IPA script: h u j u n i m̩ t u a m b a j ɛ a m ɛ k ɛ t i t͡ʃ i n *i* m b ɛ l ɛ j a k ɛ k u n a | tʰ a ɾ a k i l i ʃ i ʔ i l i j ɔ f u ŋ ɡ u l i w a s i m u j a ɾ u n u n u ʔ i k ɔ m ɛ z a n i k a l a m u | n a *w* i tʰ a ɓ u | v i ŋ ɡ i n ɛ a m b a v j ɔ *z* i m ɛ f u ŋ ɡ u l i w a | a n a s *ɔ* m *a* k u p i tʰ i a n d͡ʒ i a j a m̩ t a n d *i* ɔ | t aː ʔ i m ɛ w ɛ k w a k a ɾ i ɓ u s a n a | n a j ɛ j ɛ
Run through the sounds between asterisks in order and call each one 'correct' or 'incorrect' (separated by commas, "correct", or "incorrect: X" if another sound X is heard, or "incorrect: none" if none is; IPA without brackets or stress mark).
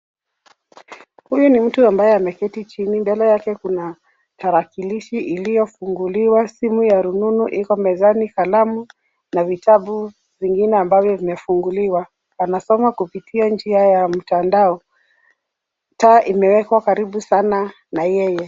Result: correct, incorrect: v, incorrect: v, correct, correct, incorrect: a